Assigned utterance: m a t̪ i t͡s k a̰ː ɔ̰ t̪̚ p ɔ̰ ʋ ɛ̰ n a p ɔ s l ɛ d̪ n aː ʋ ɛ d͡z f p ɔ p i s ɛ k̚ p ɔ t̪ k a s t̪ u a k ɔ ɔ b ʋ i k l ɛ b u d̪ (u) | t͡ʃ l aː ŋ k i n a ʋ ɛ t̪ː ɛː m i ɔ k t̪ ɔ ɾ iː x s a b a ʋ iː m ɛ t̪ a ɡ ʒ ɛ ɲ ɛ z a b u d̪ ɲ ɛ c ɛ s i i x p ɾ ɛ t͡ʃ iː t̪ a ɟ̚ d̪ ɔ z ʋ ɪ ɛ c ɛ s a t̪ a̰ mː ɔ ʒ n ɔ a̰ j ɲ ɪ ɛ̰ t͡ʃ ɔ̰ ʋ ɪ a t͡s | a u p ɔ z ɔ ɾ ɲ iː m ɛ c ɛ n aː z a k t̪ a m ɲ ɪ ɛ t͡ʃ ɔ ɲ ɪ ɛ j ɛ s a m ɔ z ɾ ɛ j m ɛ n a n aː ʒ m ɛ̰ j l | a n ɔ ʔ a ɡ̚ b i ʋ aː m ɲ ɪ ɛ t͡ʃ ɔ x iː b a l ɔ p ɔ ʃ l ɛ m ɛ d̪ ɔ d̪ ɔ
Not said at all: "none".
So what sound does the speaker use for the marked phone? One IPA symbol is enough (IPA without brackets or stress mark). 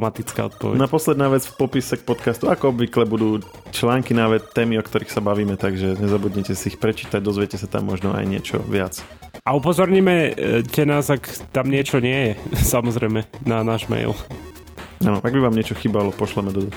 uː